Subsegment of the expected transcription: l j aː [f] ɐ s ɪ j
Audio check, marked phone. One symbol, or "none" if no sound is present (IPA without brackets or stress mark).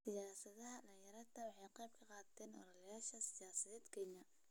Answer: ʃ